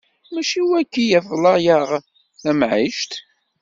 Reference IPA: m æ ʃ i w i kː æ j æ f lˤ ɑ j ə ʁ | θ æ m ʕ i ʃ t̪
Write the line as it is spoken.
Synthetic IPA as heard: m æ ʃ i w æ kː i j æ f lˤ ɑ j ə ʁ | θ æ m ʕ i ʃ t̪